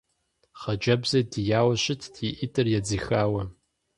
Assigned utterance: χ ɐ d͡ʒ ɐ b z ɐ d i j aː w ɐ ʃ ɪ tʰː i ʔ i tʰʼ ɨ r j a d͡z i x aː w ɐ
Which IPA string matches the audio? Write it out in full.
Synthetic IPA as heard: χ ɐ d͡ʒ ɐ b z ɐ d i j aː w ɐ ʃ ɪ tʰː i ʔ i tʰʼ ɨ r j a d͡z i x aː w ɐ